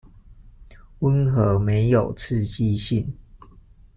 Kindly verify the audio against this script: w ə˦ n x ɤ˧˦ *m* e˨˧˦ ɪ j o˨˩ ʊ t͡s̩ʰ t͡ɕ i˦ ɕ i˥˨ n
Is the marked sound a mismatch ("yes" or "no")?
no